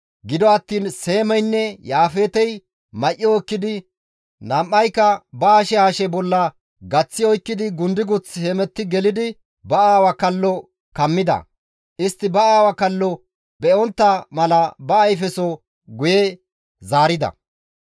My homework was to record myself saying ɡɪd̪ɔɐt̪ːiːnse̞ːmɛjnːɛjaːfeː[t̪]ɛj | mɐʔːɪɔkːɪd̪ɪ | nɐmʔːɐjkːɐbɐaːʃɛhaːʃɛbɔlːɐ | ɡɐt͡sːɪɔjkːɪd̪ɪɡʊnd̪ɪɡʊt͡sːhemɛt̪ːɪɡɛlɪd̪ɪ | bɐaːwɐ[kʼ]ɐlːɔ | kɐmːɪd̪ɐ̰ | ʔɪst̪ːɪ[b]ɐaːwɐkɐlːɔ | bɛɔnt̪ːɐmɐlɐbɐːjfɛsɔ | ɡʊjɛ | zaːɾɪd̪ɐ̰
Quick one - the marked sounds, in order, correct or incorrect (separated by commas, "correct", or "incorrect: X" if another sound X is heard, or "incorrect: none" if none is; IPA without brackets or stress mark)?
correct, incorrect: k, correct